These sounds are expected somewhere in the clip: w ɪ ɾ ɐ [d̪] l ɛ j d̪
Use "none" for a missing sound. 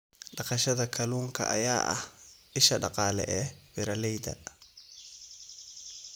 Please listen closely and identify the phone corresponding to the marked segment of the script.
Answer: none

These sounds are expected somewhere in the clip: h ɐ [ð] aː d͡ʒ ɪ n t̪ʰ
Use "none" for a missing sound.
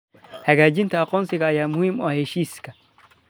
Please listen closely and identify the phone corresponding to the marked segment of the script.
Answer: ɣ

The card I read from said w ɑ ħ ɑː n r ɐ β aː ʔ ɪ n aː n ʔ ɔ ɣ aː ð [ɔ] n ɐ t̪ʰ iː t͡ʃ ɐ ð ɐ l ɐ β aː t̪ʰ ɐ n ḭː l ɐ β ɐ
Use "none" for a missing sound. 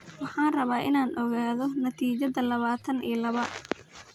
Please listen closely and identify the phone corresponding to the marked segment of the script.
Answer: ɔ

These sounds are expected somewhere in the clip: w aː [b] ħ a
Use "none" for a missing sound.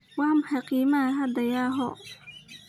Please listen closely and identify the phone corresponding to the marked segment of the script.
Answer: m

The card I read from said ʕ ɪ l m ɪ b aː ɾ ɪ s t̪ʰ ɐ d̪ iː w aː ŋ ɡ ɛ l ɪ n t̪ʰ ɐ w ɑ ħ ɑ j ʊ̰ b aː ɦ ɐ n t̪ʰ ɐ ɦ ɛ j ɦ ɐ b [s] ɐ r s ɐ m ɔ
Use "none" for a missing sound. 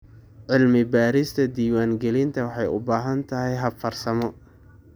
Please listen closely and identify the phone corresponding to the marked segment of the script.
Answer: f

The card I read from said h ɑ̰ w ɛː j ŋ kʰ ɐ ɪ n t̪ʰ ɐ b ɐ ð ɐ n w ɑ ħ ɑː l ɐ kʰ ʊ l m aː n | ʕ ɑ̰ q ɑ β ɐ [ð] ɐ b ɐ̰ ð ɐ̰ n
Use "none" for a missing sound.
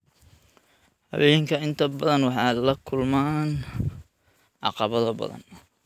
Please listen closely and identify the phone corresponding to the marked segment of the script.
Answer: ð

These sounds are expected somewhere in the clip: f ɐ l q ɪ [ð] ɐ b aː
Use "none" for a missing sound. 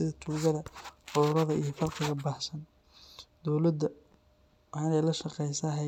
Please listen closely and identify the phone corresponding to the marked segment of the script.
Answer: ɣ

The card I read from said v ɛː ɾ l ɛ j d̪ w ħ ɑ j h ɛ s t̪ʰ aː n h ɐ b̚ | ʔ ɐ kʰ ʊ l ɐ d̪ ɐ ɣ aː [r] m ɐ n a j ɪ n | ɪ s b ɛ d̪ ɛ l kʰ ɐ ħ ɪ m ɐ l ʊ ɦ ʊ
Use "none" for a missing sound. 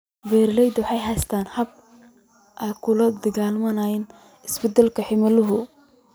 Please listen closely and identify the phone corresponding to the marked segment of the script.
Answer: l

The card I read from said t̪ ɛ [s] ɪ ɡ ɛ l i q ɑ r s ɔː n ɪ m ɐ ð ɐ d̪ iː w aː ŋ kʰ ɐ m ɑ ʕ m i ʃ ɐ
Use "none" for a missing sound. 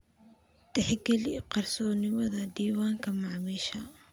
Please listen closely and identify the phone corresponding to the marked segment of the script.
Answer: ħ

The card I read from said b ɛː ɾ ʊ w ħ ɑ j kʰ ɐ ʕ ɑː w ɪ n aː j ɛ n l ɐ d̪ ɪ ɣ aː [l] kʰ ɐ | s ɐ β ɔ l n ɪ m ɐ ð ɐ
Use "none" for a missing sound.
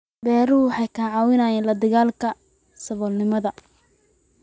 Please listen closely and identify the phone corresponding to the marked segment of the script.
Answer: l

